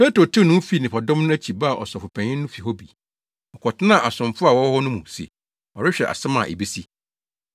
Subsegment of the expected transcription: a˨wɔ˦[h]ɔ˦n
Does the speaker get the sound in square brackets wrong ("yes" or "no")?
no